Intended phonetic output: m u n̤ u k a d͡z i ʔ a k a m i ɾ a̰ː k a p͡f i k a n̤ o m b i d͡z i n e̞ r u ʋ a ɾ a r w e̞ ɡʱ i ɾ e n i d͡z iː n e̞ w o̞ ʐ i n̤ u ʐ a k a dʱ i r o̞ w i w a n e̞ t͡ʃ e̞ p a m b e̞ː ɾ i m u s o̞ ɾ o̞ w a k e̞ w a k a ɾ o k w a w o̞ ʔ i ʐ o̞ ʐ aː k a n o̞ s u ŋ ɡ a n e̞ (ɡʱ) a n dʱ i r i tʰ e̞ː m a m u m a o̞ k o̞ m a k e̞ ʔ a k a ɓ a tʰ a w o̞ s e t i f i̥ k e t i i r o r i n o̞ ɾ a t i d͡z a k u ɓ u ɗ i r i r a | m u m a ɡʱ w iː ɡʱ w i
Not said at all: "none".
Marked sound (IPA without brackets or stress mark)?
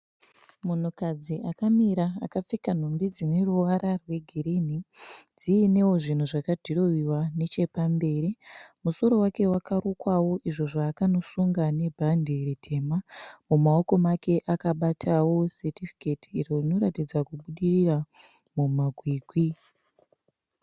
bʱ